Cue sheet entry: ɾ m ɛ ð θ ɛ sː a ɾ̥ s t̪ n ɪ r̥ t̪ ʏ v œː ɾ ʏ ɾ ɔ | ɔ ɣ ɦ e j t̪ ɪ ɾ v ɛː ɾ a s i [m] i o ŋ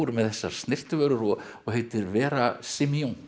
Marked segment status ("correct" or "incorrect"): correct